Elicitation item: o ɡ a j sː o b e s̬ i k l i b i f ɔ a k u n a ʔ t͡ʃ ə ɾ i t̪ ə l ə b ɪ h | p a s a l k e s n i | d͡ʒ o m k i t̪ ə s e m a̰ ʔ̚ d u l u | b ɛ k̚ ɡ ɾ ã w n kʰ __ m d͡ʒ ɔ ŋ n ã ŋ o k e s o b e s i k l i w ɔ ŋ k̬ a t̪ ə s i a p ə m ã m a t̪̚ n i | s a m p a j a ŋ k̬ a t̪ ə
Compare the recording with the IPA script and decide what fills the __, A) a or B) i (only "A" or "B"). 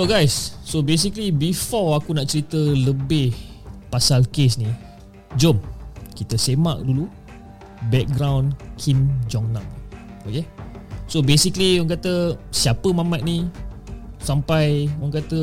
B